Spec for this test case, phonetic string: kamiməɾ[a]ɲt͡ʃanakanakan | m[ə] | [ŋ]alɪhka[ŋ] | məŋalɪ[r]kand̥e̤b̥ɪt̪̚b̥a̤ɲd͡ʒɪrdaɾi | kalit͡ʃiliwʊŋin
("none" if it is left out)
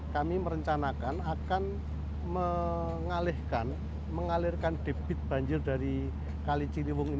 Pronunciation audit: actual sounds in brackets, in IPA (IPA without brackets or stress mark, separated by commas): ə, ə, ŋ, n, r